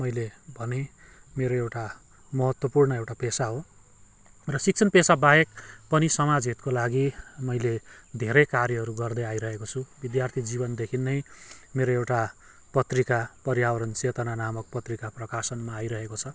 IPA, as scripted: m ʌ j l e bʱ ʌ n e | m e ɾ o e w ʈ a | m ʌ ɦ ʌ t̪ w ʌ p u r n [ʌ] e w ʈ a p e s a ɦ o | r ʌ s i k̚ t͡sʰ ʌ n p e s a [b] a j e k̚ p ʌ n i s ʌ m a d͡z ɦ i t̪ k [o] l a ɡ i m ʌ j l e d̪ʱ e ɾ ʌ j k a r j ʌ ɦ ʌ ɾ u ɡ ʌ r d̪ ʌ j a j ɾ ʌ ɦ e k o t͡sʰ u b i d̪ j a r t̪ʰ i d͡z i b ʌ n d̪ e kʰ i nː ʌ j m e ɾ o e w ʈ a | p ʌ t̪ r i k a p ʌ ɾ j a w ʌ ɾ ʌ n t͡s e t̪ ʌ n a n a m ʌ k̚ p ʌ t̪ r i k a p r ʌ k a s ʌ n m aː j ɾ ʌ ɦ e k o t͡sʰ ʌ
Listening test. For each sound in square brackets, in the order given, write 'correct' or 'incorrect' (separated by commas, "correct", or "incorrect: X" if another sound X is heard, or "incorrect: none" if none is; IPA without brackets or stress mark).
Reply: correct, correct, correct